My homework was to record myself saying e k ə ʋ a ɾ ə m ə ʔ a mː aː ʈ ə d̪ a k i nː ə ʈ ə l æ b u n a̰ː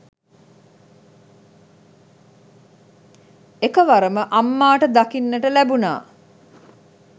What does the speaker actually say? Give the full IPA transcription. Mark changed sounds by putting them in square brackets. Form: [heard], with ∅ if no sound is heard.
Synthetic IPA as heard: e k ə ʋ a ɾ ə m ə ʔ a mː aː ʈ ə d̪ a k i nː ə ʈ ə l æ b u n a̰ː